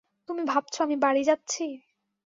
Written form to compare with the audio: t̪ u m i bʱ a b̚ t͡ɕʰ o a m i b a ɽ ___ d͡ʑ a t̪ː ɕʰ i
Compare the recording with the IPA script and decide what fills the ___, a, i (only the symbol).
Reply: i